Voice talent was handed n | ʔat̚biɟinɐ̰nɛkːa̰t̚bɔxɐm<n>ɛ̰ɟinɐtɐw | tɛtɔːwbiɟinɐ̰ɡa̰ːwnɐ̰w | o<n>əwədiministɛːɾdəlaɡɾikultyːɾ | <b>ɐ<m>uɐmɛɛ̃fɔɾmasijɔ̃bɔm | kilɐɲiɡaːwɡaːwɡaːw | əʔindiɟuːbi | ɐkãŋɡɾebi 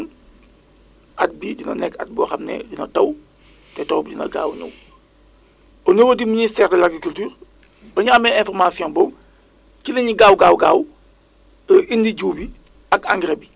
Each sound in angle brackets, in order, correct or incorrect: correct, correct, correct, incorrect: ɲ

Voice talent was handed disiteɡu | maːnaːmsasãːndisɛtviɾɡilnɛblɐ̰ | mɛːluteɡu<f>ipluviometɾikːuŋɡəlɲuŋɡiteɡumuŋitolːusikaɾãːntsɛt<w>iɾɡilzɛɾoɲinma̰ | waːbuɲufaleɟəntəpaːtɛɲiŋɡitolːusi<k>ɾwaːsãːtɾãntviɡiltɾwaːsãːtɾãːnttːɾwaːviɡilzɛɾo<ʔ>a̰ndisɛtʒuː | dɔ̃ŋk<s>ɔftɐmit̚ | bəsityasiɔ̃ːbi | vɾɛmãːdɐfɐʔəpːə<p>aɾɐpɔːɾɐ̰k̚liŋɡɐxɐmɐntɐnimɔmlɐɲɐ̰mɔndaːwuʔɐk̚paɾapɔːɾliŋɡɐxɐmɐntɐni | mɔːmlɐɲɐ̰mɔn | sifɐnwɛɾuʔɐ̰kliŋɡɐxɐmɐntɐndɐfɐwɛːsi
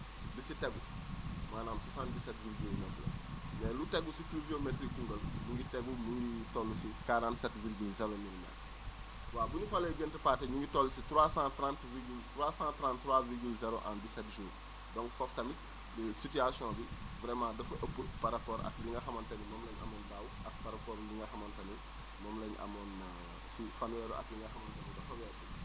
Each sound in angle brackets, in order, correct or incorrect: incorrect: s, incorrect: v, incorrect: t, correct, incorrect: f, correct

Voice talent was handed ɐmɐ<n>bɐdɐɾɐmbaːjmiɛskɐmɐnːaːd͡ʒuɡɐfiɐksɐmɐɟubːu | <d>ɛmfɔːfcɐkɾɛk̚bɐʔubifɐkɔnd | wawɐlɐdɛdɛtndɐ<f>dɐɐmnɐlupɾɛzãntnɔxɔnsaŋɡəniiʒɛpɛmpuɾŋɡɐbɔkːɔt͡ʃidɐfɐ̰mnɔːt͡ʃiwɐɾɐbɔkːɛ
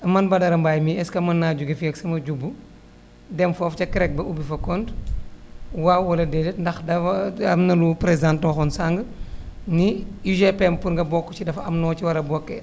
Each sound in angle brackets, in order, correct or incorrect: correct, correct, incorrect: x

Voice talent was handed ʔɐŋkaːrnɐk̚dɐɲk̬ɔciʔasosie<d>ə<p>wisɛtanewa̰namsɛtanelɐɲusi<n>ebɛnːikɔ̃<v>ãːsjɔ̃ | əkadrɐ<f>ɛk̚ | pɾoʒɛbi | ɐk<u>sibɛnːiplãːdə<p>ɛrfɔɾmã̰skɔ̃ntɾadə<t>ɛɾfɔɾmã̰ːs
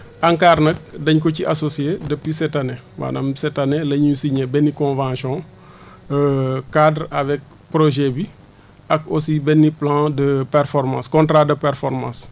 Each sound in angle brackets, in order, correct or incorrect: correct, correct, incorrect: ɲ, correct, incorrect: v, incorrect: o, correct, incorrect: p

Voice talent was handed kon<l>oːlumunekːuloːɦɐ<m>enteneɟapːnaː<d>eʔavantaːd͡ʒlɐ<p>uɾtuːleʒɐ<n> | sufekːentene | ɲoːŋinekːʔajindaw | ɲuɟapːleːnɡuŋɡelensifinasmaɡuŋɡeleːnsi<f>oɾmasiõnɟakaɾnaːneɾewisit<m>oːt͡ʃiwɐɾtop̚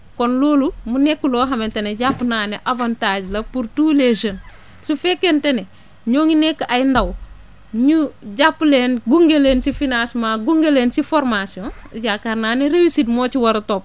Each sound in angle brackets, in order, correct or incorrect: correct, correct, incorrect: n, correct, correct, correct, correct

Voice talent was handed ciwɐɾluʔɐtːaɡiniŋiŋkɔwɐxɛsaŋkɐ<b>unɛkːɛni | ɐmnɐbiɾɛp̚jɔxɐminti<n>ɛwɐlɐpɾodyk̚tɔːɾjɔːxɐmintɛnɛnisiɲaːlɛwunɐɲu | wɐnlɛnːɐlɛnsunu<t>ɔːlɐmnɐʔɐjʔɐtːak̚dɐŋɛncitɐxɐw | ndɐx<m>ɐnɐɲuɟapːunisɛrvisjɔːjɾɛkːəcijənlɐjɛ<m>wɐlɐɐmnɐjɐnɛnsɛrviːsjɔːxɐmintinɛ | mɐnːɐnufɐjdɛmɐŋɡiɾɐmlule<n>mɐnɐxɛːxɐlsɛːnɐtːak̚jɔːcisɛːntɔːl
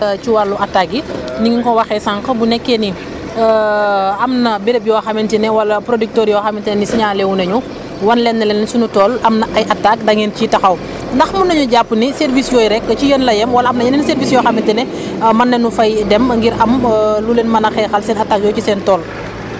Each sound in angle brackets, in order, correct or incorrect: correct, correct, correct, correct, correct, correct

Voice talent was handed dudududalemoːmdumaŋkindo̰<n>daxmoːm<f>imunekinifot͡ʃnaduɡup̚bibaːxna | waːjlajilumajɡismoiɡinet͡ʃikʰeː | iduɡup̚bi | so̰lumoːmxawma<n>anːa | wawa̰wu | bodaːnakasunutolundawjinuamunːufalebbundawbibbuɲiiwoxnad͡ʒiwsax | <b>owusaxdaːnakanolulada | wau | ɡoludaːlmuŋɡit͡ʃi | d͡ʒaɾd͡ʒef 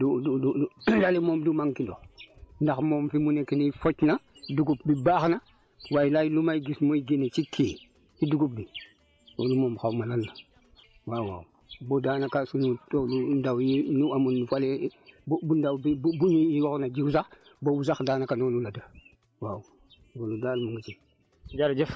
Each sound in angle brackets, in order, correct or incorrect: correct, correct, correct, correct

